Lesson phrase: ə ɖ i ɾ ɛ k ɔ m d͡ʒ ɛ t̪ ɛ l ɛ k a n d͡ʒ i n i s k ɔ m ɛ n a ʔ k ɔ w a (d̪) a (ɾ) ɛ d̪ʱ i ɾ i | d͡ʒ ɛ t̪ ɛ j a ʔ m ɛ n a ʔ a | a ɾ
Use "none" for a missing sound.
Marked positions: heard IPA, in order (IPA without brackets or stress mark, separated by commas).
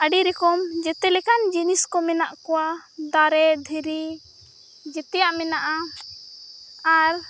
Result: d̪, ɾ